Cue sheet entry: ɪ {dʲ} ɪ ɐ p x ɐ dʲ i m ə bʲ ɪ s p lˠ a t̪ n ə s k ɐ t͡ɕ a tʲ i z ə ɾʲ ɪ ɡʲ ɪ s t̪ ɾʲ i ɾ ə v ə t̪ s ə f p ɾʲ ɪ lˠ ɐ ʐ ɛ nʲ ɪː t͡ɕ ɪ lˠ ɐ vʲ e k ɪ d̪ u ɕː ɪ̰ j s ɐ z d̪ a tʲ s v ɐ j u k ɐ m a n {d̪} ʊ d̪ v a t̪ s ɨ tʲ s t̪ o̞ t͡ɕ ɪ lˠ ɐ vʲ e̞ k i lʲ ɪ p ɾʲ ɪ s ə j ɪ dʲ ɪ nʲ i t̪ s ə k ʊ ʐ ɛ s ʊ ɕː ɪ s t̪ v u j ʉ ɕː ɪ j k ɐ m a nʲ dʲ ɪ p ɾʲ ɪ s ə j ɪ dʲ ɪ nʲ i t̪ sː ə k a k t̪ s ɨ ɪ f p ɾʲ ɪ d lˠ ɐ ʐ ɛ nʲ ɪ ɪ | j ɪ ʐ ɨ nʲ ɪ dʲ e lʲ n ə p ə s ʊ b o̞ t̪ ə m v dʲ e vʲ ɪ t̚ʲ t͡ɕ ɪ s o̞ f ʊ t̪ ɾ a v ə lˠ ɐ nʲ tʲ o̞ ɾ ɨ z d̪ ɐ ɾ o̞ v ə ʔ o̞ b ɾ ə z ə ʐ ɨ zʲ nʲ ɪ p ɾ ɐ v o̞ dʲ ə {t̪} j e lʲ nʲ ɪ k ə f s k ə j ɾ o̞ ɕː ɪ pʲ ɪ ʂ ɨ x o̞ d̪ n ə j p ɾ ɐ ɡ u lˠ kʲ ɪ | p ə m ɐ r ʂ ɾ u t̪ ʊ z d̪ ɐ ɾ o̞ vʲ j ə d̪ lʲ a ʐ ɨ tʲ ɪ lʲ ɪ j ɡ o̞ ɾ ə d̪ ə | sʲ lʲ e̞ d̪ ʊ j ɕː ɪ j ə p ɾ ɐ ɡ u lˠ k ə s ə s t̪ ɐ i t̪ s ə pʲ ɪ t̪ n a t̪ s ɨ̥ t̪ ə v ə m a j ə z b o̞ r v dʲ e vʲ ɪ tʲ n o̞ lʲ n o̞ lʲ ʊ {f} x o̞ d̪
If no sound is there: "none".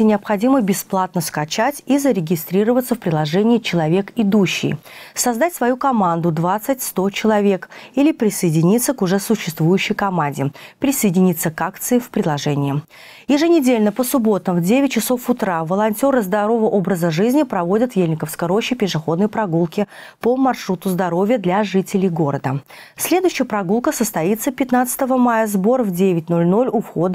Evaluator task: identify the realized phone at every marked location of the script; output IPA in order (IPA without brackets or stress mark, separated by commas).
nʲ, d̪, t̪, f